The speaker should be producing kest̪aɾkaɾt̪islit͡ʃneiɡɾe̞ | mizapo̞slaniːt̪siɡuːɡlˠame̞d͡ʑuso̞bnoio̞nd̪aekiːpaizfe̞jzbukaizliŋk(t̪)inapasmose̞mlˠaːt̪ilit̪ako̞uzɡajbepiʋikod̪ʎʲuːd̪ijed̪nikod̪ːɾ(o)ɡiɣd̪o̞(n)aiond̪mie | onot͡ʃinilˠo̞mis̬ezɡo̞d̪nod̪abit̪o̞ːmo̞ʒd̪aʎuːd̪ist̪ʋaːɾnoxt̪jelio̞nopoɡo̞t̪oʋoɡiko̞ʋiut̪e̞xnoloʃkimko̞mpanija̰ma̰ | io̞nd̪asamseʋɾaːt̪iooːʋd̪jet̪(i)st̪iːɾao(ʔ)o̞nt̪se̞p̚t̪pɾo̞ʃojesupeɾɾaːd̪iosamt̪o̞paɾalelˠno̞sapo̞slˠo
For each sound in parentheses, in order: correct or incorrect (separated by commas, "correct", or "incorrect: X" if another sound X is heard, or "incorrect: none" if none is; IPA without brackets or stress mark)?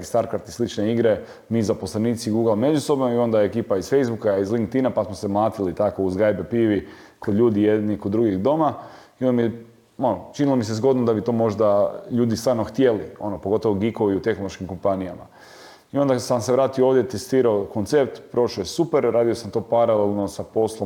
correct, incorrect: u, incorrect: m, incorrect: e, incorrect: k